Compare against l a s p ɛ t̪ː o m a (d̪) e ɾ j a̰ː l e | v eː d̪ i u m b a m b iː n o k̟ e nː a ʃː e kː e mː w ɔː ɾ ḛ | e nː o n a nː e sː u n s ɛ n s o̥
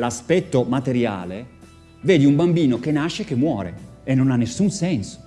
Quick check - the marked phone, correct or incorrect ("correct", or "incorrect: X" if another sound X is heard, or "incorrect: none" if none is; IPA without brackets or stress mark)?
incorrect: t̪